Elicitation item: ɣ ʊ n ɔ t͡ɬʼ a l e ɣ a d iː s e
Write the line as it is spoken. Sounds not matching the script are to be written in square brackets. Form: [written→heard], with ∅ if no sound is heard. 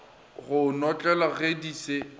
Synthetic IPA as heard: ɣ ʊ n ɔ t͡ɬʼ [a→ɛ] l [e→a] ɣ [a→e] d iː s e